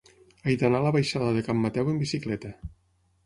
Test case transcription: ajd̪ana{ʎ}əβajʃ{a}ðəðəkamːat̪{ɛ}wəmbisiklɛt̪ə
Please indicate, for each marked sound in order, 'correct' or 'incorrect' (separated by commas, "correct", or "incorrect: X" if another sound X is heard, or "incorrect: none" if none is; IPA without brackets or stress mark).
incorrect: l, correct, correct